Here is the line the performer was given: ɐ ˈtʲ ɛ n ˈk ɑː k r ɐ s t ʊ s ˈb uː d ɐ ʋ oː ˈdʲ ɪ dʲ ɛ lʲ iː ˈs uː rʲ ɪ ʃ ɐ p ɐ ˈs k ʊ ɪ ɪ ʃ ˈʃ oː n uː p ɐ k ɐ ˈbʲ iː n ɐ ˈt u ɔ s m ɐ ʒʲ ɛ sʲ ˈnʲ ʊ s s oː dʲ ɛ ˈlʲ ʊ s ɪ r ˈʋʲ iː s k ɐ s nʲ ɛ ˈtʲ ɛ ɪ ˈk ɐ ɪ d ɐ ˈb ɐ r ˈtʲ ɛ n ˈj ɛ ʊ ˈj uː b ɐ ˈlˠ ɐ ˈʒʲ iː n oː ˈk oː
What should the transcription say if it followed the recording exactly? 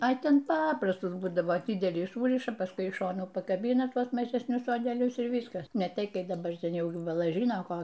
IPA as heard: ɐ ˈtʲ ɛ n ˈp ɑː p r ɐ s t ʊ s ˈb uː d ɐ ʋ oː ˈdʲ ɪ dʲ ɛ lʲ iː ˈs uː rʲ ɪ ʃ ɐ p ɐ ˈs k ʊ ɪ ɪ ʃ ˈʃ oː n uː p ɐ k ɐ ˈbʲ iː n ɐ ˈt u ɔ s m ɐ ʒʲ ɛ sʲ ˈnʲ ʊ s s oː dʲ ɛ ˈlʲ ʊ s ɪ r ˈʋʲ iː s k ɐ s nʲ ɛ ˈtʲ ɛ ɪ ˈk ɐ ɪ d ɐ ˈb ɐ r ˈtʲ ɛ n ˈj ɛ ʊ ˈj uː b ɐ ˈlˠ ɐ ˈʒʲ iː n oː ˈk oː